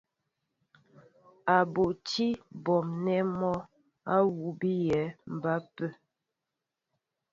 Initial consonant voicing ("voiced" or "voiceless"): voiced